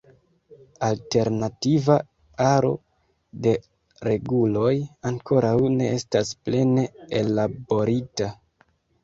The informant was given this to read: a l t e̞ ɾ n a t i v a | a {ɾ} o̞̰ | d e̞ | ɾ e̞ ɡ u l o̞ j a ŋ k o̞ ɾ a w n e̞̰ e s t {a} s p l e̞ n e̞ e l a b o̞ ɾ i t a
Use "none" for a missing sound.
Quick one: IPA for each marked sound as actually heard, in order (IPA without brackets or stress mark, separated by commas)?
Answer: ɾ, a